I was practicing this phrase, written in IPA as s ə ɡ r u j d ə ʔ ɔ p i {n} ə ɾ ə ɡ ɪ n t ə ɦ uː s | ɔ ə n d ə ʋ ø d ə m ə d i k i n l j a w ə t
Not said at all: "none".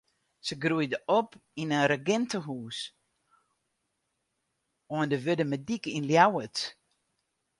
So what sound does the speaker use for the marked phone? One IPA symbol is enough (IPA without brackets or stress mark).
n